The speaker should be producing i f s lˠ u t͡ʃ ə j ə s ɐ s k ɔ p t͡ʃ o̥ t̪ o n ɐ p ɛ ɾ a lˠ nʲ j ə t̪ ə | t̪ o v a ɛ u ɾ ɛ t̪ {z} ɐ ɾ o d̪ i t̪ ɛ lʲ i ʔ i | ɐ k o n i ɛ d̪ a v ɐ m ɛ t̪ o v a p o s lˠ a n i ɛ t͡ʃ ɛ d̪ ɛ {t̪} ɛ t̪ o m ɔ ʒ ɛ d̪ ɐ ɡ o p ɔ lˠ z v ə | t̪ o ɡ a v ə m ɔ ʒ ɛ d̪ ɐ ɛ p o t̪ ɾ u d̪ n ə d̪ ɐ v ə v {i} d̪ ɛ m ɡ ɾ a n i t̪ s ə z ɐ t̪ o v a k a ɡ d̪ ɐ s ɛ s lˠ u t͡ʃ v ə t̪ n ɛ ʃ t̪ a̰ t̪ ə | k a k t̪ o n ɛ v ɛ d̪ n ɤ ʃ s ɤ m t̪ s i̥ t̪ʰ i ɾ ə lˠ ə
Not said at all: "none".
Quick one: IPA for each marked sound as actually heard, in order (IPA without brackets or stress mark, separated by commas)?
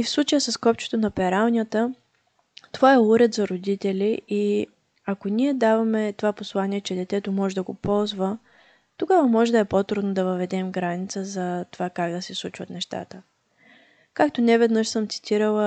z, t̪, ɛ